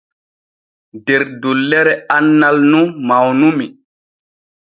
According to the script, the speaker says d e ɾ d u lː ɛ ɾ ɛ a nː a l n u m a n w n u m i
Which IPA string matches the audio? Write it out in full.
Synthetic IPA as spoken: d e ɾ d u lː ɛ ɾ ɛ a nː a l n u m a w n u m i